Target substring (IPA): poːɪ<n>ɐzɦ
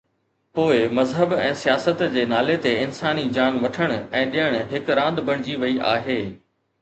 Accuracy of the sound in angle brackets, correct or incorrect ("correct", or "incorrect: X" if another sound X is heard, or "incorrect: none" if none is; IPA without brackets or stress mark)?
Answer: incorrect: m